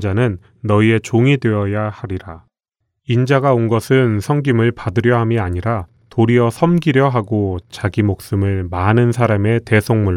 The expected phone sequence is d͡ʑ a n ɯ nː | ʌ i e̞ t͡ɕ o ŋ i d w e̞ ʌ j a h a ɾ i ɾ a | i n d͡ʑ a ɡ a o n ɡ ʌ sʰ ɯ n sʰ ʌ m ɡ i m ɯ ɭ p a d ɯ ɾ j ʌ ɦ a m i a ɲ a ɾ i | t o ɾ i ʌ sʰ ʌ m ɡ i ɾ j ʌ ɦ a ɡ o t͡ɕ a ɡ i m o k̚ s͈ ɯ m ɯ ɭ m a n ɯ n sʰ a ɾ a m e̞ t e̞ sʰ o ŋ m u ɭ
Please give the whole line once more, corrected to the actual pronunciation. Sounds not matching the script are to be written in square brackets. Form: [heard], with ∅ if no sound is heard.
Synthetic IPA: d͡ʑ a n ɯ nː | ʌ i e̞ t͡ɕ o ŋ i d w e̞ ʌ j a h a ɾ i ɾ a | i n d͡ʑ a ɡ a o n ɡ ʌ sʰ ɯ n sʰ ʌ [ŋ] ɡ i m ɯ ɭ p a d ɯ ɾ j ʌ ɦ a m i a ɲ [i] ɾ [a] | t o ɾ i ʌ sʰ ʌ m ɡ i ɾ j ʌ ɦ a ɡ o t͡ɕ a ɡ i m o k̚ s͈ ɯ m ɯ ɭ m a n ɯ n sʰ a ɾ a m e̞ t e̞ sʰ o ŋ m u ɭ